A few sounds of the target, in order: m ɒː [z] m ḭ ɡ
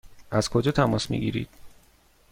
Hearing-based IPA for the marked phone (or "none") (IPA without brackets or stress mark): s